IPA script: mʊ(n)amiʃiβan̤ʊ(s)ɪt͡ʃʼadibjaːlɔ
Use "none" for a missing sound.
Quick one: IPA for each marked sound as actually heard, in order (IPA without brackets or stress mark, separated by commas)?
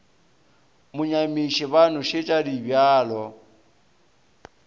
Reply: ɲ, ʃ